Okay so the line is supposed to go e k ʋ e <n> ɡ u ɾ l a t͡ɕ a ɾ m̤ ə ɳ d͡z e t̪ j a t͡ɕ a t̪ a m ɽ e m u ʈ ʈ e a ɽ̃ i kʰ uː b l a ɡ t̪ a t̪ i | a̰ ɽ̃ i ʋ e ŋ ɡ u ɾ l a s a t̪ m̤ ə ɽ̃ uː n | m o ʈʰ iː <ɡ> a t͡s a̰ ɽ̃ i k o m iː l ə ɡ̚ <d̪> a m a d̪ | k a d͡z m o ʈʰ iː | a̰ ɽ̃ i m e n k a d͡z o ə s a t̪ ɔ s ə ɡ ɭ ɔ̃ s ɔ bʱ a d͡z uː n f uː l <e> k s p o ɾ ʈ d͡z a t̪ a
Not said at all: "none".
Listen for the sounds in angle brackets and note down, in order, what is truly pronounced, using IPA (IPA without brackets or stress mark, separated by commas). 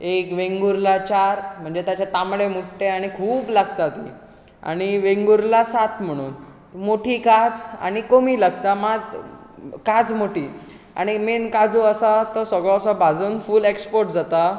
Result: ŋ, k, t̪, e